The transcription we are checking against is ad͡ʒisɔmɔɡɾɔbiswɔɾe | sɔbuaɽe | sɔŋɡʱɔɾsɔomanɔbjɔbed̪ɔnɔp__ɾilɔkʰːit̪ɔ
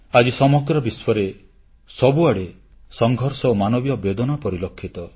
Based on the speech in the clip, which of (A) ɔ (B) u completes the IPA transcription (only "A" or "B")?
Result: A